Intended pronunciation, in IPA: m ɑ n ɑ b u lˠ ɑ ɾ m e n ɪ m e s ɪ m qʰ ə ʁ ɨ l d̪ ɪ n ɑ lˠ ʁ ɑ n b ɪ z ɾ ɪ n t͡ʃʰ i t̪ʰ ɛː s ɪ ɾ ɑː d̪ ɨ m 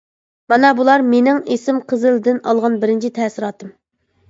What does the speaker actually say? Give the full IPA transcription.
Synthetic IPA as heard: m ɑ n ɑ b u lˠ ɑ ɾ m e n ɪ ŋ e s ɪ m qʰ ə z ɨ l d̪ ɪ n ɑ lˠ ʁ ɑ n b ɪ ɾ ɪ n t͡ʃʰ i t̪ʰ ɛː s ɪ ɾ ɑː t̪ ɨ m